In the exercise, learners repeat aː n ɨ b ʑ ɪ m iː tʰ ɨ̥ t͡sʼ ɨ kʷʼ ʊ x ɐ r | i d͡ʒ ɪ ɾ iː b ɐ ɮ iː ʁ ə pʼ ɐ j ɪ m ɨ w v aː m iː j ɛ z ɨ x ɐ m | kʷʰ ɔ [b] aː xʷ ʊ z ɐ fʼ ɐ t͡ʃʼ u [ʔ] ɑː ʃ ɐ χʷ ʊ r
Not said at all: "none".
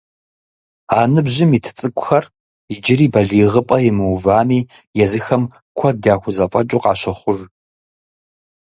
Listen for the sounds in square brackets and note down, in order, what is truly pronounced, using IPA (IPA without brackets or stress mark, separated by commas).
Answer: d, q